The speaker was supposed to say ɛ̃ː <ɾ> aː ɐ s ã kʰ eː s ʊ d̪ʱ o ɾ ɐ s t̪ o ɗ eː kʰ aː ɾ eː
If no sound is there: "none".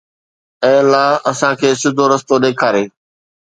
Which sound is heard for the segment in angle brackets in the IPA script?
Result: l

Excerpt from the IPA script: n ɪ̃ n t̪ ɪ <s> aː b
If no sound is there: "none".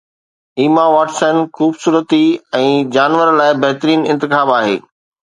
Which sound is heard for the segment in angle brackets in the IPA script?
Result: x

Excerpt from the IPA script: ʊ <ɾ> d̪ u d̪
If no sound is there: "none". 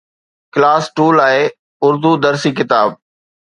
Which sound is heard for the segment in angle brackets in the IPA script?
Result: ɾ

